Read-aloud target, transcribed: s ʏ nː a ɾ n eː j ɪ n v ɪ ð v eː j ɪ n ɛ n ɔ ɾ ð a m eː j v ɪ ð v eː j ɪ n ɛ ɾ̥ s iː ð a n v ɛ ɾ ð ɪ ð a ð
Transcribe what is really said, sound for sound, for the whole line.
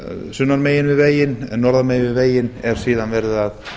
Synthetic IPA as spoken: s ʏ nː a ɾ m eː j ɪ n v ɪ ð v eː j ɪ n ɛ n ɔ ɾ ð a m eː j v ɪ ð v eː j ɪ n ɛ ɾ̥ s iː ð a n v ɛ ɾ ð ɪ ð a ð